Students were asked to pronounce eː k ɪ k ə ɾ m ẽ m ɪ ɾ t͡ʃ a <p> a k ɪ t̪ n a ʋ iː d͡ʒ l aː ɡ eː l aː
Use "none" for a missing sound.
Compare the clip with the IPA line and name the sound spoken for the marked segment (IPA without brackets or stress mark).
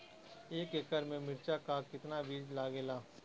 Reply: k